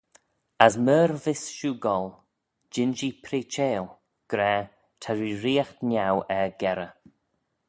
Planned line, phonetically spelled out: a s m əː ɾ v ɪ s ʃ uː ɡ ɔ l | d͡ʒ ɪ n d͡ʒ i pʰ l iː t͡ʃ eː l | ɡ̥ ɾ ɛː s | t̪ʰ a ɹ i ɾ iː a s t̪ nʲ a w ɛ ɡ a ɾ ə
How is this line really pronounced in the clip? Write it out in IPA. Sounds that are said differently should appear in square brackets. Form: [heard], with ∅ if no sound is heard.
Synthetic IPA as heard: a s m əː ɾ v ɪ s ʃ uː ɡ ɔ l | d͡ʒ ɪ n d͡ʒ i pʰ [ɾ] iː t͡ʃ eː l | ɡ̥ ɾ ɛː [∅] | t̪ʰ a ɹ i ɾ iː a [x] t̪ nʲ a w ɛ ɡ [ɛ] ɾ ə